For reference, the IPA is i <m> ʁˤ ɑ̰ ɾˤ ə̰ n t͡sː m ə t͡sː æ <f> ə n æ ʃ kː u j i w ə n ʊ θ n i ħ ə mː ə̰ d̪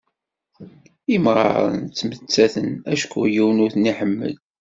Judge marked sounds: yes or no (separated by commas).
yes, no